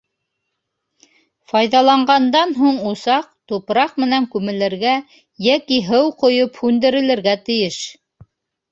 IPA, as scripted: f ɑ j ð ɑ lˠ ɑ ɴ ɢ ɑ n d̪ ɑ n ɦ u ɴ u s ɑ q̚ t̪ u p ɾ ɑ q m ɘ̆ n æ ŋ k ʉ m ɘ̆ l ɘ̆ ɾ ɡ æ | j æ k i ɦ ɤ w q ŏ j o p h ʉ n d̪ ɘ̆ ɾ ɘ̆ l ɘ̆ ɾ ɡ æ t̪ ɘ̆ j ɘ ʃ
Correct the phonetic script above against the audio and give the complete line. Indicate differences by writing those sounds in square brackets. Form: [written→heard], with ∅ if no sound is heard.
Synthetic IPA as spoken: f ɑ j ð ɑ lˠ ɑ ɴ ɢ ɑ n d̪ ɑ n ɦ u ɴ u s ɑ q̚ t̪ u p ɾ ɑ q m ɘ̆ n æ ŋ k ʉ m ɘ̆ l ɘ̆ ɾ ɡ æ | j æ k i ɦ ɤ w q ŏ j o p h ʉ n d̪ ɘ̆ ɾ ɘ̆ l ɘ̆ ɾ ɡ æ t̪ ɘ̆ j ɘ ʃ